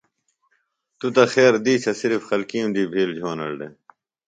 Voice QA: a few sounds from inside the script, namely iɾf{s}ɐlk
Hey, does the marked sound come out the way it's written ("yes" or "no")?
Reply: no